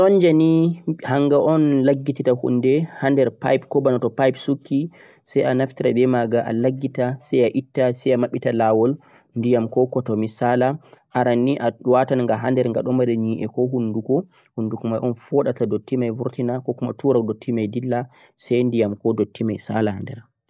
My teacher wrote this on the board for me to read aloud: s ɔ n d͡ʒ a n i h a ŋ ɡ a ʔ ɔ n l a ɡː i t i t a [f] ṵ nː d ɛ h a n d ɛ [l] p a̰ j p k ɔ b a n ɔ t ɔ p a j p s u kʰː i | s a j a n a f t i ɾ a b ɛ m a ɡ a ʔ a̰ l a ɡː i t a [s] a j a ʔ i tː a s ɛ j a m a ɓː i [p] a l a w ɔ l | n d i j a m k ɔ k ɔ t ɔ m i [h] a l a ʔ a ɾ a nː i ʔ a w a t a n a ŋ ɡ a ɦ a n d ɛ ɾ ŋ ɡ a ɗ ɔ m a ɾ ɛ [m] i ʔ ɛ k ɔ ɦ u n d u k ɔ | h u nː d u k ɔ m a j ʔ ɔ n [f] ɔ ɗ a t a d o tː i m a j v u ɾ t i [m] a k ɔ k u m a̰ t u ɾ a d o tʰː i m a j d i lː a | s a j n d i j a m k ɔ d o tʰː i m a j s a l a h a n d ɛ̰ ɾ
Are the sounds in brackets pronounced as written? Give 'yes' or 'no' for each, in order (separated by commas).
no, no, yes, no, no, no, yes, no